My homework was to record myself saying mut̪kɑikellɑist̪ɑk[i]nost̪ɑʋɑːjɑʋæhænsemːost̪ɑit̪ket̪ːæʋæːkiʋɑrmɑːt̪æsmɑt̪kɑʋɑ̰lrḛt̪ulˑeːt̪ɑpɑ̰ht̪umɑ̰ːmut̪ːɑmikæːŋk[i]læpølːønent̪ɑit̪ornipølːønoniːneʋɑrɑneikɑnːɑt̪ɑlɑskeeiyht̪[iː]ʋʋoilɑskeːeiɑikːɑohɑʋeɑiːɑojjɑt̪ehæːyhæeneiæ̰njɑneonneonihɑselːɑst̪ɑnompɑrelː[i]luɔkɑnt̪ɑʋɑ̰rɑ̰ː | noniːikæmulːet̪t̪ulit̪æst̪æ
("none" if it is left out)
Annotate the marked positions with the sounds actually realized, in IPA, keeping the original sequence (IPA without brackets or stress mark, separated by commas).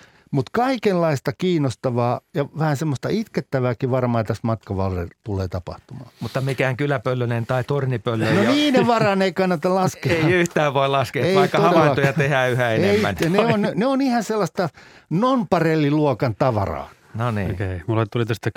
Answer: iː, y, æː, i